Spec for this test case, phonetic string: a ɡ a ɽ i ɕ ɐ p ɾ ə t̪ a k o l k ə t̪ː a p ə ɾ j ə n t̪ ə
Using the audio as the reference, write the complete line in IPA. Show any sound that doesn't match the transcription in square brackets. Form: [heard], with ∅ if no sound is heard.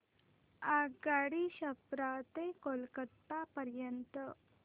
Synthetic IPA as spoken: a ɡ a ɽ i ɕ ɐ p ɾ [a] t̪ [e] k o l k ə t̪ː a p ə ɾ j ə n t̪ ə